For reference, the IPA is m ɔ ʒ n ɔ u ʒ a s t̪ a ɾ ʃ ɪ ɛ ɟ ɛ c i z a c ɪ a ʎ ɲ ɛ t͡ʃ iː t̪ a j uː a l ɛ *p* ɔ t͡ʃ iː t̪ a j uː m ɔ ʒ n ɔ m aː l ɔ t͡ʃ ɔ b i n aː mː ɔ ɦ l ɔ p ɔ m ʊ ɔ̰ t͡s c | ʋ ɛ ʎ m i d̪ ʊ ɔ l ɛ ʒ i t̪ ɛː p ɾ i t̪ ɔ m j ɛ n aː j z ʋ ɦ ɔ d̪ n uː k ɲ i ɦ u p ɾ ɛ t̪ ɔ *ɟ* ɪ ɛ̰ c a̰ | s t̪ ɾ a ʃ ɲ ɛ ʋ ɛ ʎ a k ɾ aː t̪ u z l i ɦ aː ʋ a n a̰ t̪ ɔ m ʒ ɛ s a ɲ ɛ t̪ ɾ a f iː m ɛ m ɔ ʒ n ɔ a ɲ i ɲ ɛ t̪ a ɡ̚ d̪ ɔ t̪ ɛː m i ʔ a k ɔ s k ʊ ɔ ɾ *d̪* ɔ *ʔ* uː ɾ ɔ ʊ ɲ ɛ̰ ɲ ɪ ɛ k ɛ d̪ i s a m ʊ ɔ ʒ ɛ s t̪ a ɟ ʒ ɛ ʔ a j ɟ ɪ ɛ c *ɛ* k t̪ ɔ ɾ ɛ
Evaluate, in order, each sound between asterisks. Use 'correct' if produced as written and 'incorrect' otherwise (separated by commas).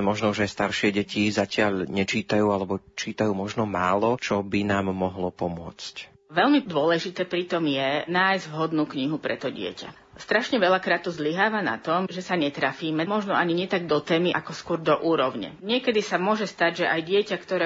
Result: incorrect, correct, correct, correct, incorrect